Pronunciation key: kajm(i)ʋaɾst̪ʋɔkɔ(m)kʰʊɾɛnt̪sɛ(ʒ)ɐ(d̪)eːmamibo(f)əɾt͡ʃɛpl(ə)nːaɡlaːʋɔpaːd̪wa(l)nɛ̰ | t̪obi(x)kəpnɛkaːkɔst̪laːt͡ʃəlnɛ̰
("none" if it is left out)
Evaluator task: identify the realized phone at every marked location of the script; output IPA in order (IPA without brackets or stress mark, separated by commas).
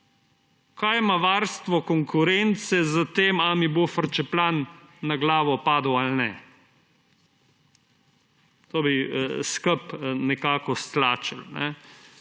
a, ŋ, z, t̪, f, a, l, s